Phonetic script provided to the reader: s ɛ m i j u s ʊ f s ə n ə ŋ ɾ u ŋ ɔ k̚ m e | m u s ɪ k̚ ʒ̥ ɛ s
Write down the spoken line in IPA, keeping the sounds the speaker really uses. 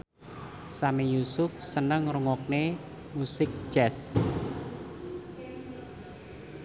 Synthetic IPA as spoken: s a m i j u s ʊ f s ə n ə ŋ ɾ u ŋ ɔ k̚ n e | m u s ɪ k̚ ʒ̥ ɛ s